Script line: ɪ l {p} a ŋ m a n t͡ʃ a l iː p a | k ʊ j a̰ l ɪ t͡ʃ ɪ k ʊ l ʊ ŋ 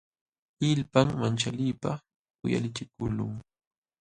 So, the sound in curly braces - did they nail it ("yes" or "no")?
yes